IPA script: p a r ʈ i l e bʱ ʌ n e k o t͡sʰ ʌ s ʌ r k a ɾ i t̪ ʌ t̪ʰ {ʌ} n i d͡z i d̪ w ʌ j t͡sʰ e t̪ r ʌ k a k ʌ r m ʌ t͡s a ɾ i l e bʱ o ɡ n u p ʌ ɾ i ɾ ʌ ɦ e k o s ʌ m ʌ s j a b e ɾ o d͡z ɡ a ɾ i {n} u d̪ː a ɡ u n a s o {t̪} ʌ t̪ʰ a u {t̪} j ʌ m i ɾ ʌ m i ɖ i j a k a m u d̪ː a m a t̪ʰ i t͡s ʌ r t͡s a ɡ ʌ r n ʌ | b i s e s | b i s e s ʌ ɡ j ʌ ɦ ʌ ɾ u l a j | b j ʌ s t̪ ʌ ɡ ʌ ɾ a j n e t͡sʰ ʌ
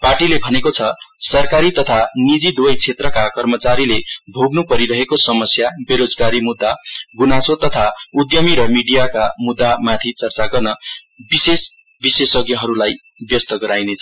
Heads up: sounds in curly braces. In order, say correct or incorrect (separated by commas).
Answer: incorrect, incorrect, correct, incorrect